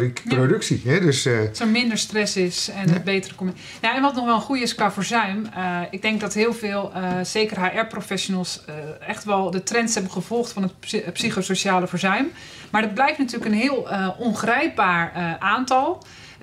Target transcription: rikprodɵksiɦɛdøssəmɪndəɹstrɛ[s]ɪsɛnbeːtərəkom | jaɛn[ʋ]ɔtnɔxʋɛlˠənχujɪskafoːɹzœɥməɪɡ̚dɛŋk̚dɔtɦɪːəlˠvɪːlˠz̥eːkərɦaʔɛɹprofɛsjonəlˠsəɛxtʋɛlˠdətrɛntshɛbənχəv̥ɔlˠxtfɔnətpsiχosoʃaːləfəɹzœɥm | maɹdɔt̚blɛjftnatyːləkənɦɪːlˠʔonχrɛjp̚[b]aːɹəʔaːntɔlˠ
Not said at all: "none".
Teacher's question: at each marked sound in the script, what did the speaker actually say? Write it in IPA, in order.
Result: s, ʋ, b

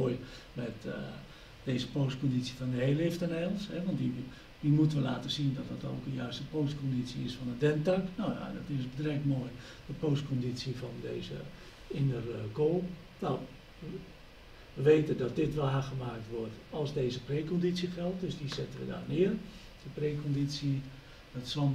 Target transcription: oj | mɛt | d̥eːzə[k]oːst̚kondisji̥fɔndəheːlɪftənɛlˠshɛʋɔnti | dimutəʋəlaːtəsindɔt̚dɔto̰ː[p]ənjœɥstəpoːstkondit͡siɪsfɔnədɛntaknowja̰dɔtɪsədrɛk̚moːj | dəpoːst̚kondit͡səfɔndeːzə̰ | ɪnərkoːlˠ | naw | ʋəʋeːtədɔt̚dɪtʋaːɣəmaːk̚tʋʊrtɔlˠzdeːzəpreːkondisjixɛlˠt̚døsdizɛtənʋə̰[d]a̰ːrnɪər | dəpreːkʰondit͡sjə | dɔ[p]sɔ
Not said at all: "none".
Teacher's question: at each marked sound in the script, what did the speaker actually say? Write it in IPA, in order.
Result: p, k, d, t

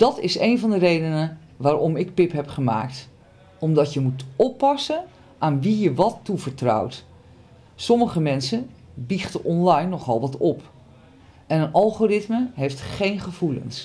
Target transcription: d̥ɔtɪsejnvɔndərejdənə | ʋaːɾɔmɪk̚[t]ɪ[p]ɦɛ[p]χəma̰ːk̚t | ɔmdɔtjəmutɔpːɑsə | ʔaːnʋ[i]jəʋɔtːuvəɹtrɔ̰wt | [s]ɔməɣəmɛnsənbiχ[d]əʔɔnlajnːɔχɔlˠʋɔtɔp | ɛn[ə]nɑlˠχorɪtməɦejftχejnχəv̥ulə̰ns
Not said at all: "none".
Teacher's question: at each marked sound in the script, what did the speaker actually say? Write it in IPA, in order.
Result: p, p, p, i, s, t, ə

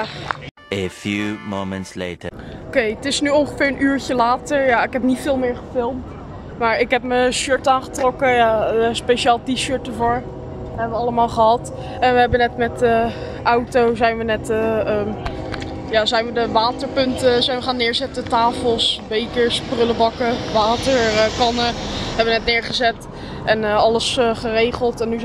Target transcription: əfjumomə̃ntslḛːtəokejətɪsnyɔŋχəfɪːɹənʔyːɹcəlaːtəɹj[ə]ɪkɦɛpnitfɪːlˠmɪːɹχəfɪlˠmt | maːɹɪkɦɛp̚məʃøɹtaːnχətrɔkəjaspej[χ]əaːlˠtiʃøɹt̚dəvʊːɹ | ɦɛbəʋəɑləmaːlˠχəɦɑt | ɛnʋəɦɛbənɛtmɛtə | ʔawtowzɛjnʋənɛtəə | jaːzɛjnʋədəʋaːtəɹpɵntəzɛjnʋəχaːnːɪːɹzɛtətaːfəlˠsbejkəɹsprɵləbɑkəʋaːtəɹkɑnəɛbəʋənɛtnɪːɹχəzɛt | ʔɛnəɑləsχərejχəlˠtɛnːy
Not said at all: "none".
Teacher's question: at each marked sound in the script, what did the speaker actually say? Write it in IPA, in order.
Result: a, ʃ

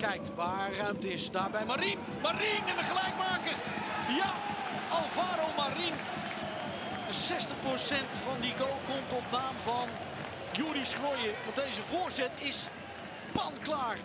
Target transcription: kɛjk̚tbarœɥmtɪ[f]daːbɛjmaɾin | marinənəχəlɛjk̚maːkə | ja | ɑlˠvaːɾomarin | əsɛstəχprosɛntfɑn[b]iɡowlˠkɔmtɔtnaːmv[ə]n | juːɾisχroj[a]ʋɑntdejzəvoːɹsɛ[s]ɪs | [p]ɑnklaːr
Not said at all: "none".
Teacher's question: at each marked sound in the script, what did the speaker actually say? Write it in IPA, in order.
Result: s, d, ɑ, ə, t, p

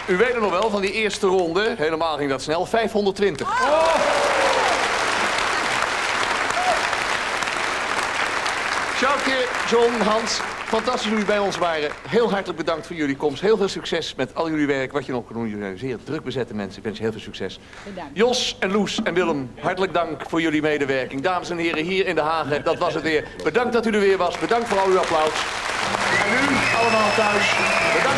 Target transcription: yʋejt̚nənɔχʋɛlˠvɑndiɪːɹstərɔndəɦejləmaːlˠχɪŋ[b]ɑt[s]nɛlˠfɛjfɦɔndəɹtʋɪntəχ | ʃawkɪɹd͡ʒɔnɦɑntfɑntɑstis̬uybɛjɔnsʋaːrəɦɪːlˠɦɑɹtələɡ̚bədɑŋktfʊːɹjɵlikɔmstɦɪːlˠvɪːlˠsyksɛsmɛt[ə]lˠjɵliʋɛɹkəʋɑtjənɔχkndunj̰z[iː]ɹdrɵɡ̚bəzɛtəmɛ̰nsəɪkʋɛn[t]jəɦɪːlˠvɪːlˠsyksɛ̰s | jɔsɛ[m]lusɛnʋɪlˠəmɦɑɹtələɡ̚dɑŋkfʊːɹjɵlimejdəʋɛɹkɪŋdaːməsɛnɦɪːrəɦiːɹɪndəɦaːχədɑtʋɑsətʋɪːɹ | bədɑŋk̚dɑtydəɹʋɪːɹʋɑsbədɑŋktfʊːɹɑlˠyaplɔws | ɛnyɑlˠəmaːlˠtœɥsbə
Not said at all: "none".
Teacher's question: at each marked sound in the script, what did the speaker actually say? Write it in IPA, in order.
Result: d, s, ɑ, ɪː, s, n

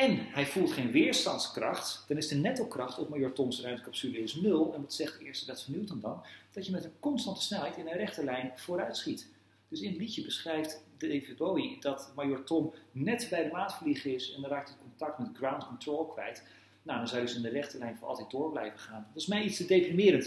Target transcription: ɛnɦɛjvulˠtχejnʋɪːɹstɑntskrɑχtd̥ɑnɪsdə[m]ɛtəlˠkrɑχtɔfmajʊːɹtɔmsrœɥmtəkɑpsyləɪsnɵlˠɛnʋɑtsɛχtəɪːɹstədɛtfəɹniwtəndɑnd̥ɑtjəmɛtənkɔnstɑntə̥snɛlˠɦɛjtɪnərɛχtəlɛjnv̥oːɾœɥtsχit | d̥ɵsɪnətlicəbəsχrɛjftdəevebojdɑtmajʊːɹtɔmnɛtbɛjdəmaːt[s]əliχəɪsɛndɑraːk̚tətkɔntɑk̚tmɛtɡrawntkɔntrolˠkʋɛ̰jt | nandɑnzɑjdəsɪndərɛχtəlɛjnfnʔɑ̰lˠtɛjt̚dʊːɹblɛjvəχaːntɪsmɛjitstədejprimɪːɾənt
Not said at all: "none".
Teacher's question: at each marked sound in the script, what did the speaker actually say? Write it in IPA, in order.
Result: n, f

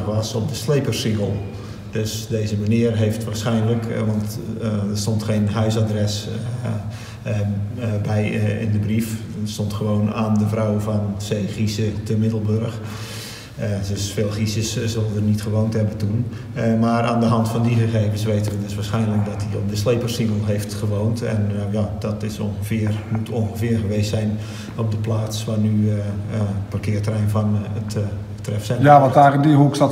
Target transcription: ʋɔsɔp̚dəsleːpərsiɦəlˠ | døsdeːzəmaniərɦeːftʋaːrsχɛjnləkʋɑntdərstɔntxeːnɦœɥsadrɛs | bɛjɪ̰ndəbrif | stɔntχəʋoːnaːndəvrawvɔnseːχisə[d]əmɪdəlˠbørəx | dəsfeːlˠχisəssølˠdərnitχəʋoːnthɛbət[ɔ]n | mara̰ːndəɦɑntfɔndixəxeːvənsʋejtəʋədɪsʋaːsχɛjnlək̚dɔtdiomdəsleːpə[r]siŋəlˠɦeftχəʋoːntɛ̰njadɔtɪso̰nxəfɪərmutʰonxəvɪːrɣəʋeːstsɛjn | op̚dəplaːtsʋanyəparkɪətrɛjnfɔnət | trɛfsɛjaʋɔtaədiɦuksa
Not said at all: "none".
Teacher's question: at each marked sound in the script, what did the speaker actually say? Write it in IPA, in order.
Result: t, u, r

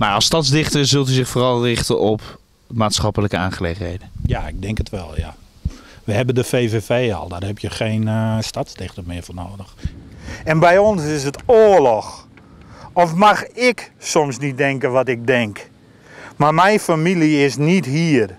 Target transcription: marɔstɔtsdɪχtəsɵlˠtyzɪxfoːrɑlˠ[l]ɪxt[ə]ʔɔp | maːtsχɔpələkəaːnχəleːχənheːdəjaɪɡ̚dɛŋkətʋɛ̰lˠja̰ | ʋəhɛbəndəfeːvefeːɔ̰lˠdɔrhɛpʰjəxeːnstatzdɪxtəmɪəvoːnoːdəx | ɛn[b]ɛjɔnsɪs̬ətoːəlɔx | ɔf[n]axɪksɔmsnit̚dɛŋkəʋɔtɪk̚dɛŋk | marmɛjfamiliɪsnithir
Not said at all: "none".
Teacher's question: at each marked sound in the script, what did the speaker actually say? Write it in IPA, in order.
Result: r, ə, b, m

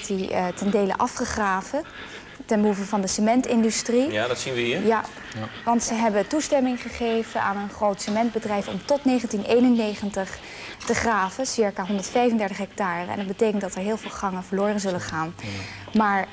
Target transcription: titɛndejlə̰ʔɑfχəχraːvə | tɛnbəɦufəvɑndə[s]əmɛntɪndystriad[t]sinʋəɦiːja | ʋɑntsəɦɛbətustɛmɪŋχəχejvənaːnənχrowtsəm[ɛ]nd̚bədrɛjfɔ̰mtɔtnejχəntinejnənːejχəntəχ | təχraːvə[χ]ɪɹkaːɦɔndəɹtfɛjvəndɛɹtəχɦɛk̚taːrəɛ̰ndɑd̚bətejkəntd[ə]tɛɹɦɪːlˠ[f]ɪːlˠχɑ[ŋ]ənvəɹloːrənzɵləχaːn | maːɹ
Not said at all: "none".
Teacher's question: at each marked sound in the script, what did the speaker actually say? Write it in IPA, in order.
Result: s, t, ɛ, s, ɑ, v, ŋ

